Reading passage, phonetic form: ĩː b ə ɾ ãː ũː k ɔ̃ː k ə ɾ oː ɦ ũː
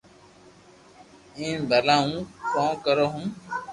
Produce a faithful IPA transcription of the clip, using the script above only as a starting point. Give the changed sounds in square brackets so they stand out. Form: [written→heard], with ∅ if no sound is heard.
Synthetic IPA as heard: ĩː b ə [ɾ→l] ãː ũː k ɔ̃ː k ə ɾ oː ɦ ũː